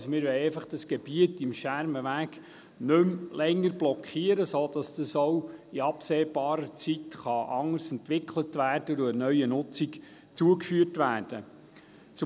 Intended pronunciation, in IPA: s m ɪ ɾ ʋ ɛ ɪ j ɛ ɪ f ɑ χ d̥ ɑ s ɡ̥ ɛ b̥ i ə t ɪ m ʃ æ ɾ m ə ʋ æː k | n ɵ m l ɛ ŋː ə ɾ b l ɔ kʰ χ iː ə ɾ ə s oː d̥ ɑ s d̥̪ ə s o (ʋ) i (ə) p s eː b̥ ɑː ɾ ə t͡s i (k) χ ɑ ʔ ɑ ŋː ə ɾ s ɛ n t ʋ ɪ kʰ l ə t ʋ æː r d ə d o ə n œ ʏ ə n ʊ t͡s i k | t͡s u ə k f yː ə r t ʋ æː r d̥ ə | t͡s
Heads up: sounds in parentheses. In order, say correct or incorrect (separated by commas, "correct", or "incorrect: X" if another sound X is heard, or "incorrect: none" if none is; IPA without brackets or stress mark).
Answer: incorrect: w, incorrect: ɑ, incorrect: t